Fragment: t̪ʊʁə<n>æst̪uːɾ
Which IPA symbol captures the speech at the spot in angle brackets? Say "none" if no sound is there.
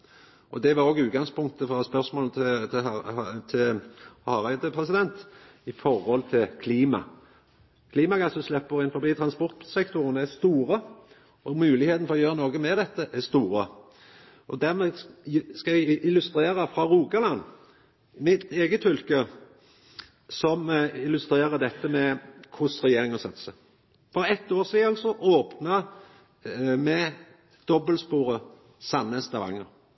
n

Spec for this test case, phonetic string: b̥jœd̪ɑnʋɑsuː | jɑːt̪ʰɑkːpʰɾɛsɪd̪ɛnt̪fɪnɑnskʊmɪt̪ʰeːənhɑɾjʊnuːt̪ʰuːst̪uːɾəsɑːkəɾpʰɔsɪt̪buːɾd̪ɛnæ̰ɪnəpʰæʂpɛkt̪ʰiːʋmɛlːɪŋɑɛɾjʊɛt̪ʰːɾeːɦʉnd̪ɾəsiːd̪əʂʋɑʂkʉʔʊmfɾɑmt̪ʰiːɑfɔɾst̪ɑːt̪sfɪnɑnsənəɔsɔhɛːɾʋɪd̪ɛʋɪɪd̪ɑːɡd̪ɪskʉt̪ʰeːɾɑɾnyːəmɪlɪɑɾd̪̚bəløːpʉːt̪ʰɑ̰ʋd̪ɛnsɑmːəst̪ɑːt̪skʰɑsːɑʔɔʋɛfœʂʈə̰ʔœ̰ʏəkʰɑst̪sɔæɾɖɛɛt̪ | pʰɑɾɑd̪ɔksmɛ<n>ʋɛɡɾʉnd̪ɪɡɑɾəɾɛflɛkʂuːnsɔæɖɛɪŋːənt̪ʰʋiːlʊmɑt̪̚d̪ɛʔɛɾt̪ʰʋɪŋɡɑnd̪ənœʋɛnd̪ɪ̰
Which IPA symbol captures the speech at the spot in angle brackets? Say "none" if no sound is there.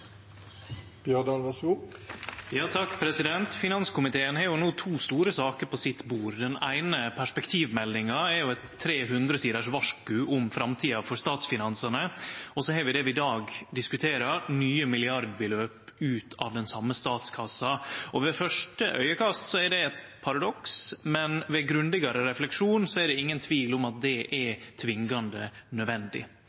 n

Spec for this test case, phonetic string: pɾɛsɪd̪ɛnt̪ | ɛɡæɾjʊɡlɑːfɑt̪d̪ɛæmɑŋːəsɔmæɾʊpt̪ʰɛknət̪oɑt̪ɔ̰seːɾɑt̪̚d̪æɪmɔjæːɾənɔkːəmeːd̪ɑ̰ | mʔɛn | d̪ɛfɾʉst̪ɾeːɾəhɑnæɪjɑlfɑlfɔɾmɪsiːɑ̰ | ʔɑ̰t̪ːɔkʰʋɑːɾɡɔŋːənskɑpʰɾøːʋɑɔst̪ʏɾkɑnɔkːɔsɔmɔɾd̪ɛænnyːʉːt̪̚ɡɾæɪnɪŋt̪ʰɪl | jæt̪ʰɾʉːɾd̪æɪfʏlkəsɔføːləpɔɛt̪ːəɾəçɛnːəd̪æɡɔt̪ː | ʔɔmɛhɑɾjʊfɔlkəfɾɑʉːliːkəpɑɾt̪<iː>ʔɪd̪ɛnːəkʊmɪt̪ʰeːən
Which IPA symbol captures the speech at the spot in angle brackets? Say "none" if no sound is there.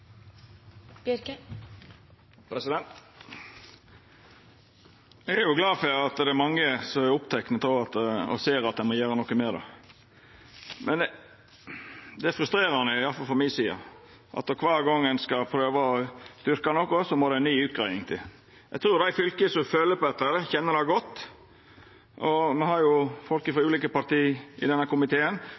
iː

